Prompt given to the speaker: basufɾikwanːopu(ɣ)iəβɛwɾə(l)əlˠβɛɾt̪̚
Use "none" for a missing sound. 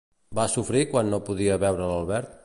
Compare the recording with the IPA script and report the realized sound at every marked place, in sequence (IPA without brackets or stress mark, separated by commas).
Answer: ð, l